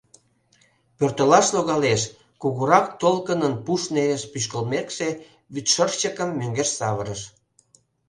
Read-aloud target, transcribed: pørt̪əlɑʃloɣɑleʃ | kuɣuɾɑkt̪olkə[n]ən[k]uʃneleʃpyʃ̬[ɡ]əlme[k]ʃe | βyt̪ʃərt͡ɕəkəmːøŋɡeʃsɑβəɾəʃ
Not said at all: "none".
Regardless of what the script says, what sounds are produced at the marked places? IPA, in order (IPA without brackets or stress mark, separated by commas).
n, p, k, k